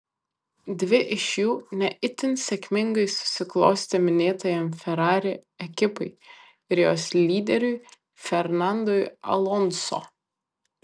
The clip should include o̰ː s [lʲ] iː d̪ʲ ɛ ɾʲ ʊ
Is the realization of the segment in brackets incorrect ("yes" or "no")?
no